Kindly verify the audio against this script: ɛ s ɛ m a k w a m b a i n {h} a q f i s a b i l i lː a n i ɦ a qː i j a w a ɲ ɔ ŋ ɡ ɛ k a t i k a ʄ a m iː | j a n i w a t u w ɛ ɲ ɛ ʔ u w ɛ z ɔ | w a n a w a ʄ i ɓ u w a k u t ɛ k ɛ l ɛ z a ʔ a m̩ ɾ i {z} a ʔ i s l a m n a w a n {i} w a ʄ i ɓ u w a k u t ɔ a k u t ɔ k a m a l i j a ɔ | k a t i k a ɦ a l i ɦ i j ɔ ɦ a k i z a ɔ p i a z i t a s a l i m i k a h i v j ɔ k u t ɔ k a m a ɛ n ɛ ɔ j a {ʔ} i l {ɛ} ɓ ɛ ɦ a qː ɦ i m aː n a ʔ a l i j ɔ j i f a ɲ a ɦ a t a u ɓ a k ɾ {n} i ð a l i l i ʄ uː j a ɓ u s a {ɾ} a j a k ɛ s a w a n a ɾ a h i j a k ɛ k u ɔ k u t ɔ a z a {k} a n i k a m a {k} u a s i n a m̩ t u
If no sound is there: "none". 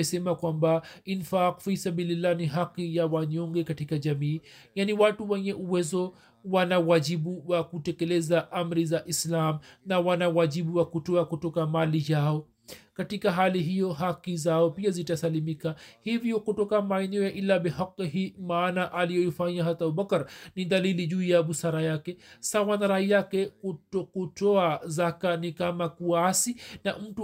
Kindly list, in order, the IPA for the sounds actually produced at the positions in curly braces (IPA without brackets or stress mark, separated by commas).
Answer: f, z, a, ʔ, a, n, ɾ, k, k